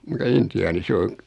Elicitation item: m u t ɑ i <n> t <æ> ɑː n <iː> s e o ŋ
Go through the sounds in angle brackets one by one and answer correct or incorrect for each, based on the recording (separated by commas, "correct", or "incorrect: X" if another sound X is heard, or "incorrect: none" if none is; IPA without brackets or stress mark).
correct, incorrect: i, incorrect: i